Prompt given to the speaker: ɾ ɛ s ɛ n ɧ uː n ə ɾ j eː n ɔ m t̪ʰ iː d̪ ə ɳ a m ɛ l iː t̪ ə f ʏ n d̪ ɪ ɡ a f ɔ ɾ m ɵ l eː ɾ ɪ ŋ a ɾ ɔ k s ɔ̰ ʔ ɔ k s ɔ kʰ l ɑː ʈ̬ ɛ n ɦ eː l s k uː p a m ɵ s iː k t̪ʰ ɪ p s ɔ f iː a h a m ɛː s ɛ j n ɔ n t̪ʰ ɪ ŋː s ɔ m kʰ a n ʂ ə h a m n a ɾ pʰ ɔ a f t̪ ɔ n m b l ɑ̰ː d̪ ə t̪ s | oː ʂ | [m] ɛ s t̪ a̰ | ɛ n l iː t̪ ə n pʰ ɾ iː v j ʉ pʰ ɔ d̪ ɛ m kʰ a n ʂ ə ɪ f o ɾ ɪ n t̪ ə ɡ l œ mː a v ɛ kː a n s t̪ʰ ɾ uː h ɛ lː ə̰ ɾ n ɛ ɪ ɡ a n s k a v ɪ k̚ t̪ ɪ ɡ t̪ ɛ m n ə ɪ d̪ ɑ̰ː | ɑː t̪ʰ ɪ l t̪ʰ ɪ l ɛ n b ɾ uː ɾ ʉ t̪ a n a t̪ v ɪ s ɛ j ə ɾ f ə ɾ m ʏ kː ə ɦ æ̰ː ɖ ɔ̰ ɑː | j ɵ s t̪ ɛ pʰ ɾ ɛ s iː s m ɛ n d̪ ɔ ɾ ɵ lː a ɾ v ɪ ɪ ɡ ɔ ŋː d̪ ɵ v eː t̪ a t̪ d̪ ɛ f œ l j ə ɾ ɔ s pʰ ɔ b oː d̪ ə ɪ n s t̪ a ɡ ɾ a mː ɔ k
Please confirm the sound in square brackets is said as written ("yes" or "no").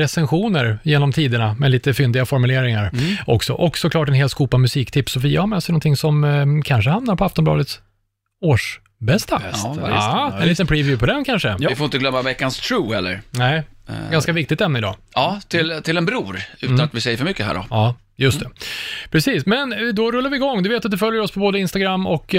no